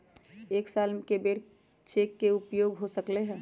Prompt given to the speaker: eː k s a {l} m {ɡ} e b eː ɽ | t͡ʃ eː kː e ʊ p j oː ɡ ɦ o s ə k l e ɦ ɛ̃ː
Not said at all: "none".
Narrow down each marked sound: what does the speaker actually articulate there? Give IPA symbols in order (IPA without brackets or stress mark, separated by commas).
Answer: l, k